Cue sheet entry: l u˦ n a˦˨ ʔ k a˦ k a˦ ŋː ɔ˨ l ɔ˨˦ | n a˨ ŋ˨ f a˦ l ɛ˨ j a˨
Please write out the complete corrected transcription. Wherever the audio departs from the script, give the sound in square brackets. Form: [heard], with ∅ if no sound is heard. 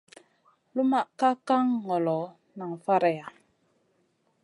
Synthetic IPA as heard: l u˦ [m] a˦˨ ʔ k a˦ k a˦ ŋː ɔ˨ l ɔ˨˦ | n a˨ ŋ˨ f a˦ [ɾ] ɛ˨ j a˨